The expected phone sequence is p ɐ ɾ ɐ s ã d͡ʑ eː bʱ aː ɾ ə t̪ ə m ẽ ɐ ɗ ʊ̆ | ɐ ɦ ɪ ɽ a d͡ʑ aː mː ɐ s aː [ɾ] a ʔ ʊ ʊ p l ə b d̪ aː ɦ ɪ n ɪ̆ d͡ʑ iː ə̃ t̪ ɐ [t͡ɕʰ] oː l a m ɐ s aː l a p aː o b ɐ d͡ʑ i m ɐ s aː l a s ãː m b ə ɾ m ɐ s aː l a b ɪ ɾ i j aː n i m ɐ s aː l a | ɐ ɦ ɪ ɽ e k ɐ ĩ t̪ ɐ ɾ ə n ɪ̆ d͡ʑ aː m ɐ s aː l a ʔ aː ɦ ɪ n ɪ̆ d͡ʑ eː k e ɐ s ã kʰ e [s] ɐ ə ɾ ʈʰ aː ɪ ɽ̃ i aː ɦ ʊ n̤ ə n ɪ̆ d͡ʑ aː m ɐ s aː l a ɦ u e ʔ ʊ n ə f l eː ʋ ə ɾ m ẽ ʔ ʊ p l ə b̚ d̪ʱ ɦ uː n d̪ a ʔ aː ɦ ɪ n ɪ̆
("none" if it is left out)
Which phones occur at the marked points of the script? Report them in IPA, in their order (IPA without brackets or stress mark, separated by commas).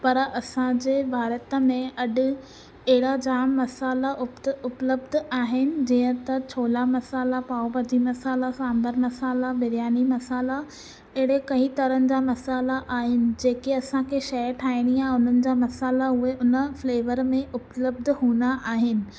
l, t͡ɕʰ, ʃ